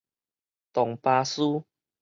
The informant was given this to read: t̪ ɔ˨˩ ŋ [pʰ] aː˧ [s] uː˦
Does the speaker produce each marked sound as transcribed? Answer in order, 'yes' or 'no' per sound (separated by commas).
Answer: no, yes